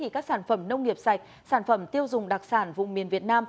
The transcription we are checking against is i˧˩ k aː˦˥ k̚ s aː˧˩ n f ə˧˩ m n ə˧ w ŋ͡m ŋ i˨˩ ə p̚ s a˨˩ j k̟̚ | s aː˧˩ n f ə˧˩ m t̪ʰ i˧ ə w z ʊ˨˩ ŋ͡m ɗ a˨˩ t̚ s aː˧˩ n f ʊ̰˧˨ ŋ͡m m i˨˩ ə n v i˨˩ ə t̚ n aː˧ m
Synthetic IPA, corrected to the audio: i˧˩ k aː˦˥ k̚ s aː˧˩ n f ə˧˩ m n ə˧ w ŋ͡m ŋ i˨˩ ə p̚ s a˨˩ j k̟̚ | s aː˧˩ n f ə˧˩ m t̪ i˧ ə w z ʊ˨˩ ŋ͡m ɗ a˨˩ k̚ s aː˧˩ n v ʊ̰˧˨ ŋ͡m m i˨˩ ə n v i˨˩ ə t̚ n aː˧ m